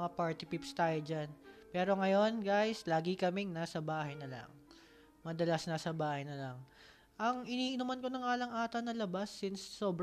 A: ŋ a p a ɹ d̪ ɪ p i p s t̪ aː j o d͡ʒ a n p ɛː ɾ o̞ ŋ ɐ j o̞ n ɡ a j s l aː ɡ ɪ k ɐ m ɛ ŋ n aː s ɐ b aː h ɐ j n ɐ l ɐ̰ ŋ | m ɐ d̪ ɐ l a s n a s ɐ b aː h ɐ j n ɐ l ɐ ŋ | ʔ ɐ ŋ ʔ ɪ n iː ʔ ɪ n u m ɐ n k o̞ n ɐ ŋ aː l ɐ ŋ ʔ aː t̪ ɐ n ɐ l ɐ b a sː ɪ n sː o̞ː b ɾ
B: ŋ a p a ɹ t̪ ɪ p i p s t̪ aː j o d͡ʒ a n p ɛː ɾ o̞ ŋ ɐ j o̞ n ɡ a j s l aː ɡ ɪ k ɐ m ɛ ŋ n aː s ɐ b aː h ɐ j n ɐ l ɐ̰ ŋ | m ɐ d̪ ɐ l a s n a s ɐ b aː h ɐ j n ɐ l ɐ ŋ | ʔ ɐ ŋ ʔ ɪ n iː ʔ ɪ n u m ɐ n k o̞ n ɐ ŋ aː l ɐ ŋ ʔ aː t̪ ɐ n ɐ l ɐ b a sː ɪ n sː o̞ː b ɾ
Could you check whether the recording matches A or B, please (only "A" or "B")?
B